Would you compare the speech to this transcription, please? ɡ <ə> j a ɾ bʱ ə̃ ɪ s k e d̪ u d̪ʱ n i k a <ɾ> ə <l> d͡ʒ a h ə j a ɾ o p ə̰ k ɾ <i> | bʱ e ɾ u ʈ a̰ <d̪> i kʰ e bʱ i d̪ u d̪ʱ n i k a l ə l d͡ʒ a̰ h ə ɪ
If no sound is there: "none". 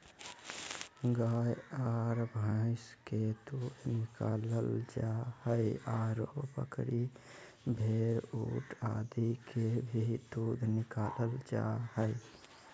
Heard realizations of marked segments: a, l, l, i, d̪

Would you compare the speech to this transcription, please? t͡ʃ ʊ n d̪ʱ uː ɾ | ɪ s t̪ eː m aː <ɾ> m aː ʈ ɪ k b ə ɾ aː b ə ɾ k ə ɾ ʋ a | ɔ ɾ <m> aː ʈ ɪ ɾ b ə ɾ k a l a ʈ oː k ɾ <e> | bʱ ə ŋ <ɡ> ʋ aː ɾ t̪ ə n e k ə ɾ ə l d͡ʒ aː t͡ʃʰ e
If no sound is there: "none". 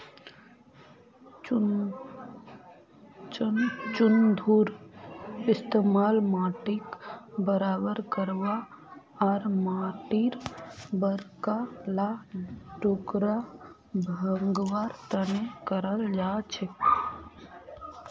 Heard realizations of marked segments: l, m, a, ɡ

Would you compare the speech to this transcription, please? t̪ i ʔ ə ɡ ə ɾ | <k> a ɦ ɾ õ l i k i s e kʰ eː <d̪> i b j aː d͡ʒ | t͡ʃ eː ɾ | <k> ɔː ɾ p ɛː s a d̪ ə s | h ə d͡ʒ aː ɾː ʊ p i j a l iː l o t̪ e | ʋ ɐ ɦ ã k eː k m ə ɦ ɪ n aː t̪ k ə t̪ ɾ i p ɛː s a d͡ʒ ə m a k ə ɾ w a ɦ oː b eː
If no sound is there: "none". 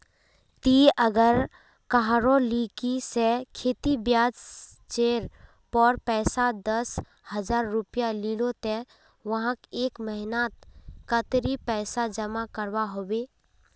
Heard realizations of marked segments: k, t̪, p

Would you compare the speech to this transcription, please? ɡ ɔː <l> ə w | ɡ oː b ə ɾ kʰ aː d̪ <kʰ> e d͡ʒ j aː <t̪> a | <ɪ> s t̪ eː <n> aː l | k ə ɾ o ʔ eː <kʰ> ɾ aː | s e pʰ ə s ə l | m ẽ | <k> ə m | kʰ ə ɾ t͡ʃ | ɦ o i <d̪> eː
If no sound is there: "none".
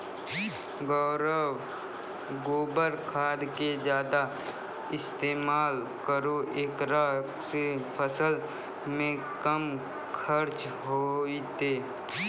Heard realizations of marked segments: ɾ, k, d̪, ɪ, m, k, k, t̪

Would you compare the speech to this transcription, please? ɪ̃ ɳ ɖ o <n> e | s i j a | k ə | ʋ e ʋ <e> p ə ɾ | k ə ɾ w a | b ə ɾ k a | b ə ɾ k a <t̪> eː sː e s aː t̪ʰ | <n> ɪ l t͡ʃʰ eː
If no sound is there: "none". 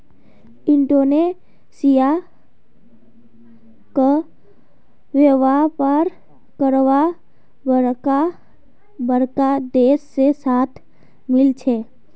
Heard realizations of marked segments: n, a, d̪, m

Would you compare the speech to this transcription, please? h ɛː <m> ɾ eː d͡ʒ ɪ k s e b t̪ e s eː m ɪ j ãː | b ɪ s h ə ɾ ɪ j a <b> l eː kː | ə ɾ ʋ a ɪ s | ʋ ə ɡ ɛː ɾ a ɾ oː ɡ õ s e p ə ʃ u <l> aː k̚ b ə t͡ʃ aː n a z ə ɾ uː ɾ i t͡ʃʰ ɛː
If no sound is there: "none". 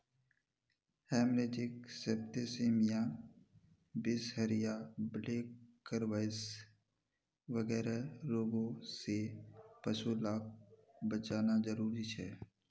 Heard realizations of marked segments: m, b, l

